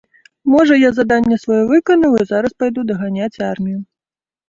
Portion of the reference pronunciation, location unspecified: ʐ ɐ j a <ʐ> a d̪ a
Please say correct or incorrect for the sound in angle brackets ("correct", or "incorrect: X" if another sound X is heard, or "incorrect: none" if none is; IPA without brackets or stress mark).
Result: incorrect: z